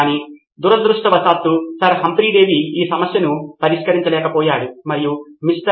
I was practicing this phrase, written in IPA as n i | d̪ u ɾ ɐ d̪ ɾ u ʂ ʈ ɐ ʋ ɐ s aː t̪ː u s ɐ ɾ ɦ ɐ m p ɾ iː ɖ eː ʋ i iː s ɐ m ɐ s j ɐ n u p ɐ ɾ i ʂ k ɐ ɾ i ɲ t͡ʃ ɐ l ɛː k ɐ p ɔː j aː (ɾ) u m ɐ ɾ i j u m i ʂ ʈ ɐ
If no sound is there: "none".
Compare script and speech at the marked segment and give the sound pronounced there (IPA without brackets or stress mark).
ɽ